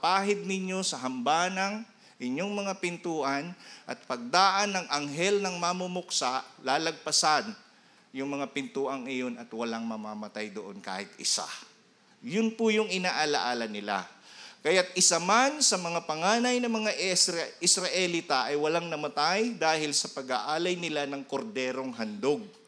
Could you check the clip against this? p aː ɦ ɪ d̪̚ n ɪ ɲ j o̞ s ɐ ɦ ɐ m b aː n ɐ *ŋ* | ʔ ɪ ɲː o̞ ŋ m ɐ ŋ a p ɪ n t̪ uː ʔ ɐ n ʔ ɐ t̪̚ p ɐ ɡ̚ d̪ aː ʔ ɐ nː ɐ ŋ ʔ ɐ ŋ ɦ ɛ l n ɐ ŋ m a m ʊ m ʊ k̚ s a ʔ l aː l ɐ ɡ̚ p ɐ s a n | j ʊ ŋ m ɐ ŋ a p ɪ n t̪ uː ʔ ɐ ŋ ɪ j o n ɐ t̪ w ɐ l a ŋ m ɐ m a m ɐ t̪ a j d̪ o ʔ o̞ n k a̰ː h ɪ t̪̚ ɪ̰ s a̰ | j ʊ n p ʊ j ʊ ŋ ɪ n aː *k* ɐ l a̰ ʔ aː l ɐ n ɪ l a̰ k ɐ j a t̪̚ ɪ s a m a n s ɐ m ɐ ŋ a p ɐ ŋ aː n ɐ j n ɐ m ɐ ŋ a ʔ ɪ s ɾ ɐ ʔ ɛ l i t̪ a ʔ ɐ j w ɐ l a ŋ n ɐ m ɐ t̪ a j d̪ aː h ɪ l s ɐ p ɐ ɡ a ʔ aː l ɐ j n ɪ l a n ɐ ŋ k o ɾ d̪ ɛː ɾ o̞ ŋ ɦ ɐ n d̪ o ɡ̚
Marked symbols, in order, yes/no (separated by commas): yes, no